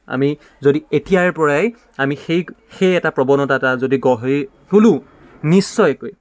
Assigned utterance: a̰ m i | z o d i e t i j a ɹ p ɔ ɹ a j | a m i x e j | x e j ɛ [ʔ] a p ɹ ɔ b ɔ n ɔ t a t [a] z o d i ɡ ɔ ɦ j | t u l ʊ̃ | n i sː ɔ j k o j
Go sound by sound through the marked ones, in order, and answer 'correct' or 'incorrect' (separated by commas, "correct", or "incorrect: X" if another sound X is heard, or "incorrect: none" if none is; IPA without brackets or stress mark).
incorrect: t, correct